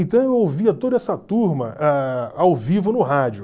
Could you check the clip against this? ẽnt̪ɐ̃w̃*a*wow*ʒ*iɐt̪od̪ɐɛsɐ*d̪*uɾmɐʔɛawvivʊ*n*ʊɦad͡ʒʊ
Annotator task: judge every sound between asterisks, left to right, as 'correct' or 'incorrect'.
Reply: incorrect: e, incorrect: v, incorrect: t̪, correct

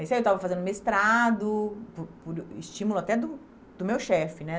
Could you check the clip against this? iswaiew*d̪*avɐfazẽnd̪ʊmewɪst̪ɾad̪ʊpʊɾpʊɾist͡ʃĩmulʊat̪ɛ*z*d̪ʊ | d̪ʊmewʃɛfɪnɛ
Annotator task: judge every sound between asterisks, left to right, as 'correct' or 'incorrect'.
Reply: incorrect: t̪, incorrect: none

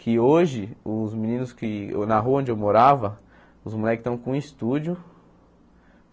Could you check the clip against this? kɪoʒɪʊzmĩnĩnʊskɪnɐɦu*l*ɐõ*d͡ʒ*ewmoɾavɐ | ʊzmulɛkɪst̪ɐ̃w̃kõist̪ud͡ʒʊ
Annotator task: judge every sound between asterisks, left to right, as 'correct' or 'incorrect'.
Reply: incorrect: none, correct

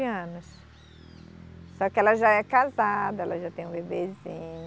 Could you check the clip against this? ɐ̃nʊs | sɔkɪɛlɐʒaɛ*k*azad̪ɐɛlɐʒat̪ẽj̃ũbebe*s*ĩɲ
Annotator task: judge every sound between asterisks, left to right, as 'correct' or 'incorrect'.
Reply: correct, incorrect: z

